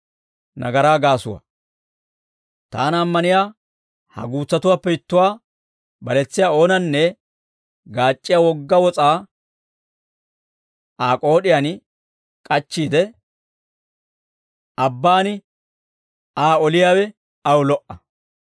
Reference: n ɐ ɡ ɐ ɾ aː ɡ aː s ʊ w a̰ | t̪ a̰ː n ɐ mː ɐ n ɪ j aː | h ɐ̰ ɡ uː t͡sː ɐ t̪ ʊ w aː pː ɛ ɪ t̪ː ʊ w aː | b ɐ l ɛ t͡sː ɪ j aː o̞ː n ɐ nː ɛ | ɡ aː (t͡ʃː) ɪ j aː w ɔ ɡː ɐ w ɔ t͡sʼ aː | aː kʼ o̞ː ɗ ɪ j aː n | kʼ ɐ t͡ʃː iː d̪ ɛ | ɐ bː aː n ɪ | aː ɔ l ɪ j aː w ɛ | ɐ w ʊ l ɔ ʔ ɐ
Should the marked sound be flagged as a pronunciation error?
yes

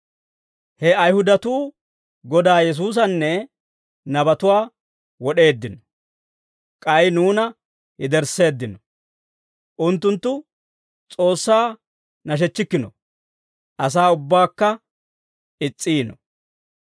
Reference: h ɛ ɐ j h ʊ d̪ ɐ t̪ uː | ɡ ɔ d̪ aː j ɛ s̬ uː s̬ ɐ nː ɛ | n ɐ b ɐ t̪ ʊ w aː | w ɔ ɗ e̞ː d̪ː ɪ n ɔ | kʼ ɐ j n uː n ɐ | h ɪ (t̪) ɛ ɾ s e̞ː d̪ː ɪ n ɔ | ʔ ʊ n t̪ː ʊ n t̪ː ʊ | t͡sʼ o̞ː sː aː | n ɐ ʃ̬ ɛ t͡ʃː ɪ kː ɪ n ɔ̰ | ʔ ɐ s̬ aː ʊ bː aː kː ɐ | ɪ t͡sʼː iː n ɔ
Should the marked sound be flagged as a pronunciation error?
yes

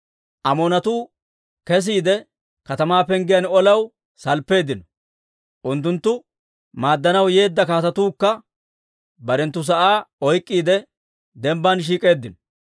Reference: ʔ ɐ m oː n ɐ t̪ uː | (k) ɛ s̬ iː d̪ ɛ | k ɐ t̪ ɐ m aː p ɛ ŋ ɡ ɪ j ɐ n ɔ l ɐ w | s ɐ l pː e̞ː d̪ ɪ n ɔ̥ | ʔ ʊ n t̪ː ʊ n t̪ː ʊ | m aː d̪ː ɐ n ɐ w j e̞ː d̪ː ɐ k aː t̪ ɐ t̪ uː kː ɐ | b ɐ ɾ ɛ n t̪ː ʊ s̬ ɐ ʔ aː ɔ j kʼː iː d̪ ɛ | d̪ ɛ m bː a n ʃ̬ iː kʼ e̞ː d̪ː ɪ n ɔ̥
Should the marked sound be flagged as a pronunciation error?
no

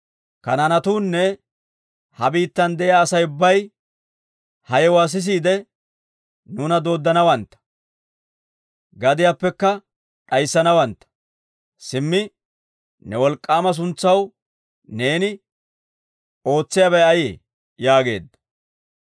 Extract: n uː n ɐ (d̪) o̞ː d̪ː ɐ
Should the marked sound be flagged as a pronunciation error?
no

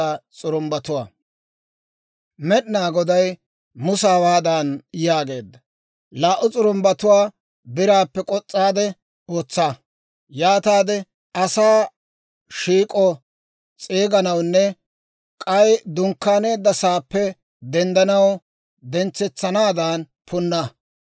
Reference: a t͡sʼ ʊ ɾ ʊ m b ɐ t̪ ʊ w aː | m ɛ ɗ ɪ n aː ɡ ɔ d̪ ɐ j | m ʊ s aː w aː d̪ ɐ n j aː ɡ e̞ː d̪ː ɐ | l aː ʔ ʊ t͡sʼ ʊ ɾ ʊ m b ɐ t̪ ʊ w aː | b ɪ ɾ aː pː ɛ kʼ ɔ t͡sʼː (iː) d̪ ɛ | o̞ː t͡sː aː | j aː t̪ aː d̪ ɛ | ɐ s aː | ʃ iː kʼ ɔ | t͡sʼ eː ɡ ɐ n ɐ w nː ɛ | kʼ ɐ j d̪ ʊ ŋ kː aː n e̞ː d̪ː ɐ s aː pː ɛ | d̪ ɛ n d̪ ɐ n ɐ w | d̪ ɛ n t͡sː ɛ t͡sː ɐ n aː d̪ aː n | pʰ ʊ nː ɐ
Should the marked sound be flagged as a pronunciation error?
yes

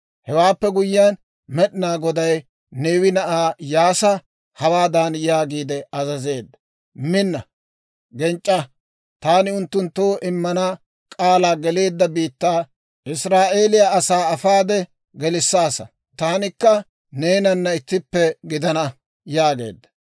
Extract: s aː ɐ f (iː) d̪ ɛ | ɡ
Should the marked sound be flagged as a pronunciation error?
yes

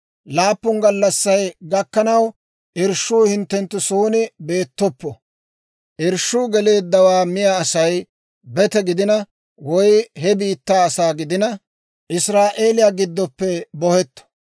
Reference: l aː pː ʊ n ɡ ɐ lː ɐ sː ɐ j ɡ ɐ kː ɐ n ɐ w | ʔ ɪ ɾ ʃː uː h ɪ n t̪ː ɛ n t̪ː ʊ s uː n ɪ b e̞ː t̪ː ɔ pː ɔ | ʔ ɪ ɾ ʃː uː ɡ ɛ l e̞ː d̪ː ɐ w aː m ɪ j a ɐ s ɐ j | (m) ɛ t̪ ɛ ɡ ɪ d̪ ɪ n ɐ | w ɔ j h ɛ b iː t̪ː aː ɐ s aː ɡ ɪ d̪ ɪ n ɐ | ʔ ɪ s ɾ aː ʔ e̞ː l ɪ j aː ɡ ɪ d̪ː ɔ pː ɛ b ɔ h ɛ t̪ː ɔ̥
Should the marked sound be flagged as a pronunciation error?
yes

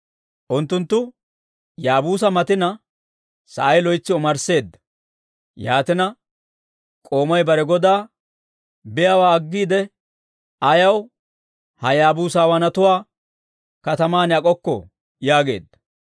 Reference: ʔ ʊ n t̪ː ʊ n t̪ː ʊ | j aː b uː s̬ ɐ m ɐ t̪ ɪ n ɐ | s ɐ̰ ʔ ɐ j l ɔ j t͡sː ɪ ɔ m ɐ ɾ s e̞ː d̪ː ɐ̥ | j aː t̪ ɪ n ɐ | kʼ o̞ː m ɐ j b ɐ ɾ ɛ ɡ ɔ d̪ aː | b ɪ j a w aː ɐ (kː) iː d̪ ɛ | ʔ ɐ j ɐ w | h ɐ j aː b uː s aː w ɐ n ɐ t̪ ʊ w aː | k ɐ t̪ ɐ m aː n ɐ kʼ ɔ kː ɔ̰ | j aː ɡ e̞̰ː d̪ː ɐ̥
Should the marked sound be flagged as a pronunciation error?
yes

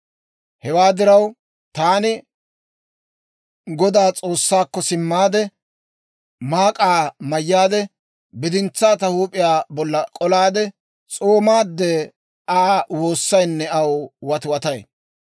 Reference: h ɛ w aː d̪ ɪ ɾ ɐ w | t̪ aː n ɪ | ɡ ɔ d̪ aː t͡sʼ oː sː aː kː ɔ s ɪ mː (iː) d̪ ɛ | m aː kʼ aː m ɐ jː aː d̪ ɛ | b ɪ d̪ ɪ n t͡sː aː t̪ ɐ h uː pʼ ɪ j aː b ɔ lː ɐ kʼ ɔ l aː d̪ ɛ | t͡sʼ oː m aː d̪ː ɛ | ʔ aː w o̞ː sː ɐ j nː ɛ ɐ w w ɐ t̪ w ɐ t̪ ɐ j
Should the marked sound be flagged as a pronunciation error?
yes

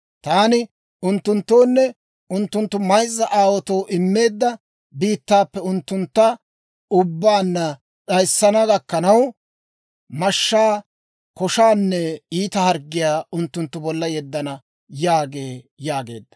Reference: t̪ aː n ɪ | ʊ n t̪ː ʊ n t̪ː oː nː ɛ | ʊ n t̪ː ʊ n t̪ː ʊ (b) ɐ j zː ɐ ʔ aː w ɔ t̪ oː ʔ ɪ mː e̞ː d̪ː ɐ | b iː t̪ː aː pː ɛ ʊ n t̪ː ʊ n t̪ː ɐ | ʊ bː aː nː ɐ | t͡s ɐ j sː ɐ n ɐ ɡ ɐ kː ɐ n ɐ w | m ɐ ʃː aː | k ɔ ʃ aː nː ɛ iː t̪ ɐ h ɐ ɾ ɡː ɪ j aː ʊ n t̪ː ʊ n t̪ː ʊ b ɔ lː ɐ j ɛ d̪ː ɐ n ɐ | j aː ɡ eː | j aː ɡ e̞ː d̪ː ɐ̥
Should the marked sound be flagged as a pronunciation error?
yes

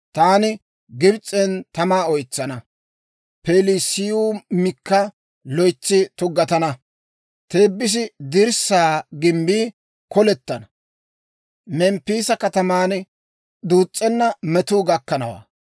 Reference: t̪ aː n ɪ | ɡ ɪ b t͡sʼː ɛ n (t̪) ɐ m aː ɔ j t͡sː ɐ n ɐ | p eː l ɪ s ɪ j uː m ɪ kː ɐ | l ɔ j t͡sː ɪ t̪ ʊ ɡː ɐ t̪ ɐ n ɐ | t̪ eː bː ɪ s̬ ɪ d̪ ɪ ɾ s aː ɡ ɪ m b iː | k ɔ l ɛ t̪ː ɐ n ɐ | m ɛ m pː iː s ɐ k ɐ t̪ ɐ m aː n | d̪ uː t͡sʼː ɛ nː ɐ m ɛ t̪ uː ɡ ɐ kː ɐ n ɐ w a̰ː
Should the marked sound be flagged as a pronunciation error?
no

